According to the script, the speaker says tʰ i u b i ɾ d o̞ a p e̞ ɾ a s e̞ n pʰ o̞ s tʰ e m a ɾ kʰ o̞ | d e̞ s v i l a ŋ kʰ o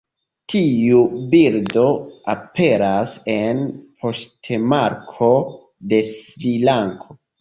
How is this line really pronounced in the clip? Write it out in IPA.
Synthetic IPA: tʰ i u b i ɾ d o̞ a p e̞ ɾ a s e̞ n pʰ o̞ s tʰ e m a ɾ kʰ o̞ | d e̞ s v i l a ŋ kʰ o